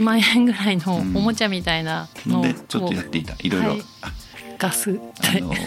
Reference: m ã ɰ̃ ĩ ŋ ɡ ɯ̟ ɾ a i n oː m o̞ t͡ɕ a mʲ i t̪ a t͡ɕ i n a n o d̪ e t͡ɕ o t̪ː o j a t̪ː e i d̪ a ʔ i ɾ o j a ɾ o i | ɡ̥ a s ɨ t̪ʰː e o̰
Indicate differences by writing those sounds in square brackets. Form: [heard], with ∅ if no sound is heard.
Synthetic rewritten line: m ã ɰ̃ [ẽ] ŋ ɡ ɯ̟ ɾ a i n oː m o̞ t͡ɕ a mʲ i t̪ a [∅] i n a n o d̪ e t͡ɕ o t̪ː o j a t̪ː e i [t̪] a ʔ i ɾ o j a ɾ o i | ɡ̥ a s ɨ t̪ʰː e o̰